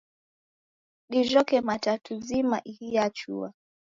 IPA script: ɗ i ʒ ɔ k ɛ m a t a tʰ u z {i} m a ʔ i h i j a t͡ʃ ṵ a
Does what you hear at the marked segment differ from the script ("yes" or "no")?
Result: no